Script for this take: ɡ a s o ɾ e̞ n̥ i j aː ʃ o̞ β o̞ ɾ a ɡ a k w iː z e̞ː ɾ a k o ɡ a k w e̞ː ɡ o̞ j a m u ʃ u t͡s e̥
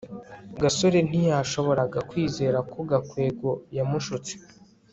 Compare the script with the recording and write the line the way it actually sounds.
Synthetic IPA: ɡ a s o ɾ e̞ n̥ i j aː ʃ o̞ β o̞ ɾ a ɡ a k w iː z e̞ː ɾ a k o ɡ a k w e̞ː ɡ o̞ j a m u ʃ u t͡s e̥